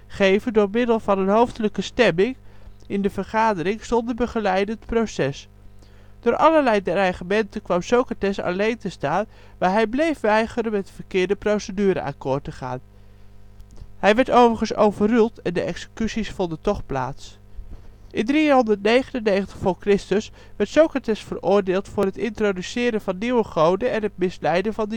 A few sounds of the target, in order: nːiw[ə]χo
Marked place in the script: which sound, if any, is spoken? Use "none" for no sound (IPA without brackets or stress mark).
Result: ə